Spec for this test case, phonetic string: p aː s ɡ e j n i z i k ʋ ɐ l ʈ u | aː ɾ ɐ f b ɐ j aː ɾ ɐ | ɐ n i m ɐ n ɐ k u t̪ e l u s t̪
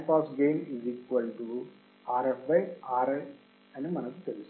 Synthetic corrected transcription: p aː s ɡ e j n i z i k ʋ ɐ l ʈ u | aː ɾ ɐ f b ɐ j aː ɾ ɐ | ɐ n i m ɐ n ɐ k u t̪ e l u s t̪

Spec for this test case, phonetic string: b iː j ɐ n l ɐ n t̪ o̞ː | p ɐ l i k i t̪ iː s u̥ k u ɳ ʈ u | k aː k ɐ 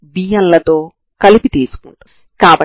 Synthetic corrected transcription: b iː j ɐ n l ɐ t̪ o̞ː | k ɐ l i p i t̪ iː s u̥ k u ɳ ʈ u | k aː p ɐ

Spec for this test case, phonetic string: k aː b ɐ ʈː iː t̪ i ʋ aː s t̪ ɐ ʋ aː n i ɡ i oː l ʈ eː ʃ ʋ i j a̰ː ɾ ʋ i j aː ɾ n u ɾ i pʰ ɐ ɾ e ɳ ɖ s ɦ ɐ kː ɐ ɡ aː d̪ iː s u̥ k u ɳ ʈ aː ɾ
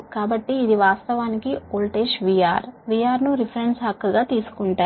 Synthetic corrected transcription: k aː b ɐ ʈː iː d̪ i ʋ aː s t̪ ɐ ʋ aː n i k i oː l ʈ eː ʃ ʋ i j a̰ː ɾ ʋ i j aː ɾ n u ɾ i pʰ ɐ ɾ e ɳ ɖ s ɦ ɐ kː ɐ ɡ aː t̪ iː s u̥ k u ɳ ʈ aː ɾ

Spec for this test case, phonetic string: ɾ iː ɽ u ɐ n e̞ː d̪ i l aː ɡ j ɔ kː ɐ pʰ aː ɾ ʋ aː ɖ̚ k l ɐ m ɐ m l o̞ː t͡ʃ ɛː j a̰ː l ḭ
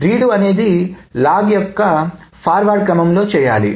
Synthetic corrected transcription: ɾ iː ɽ u ɐ n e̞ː d̪ i l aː ɡ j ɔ kː ɐ pʰ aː ɾ ʋ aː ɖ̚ k ɾ ɐ m ɐ m l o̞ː t͡ʃ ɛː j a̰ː l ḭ

